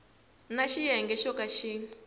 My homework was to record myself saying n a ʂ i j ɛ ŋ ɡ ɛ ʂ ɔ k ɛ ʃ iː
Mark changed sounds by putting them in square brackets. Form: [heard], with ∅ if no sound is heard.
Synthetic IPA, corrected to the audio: n a [ʃ] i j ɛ ŋ ɡ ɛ [ʃ] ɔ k [a] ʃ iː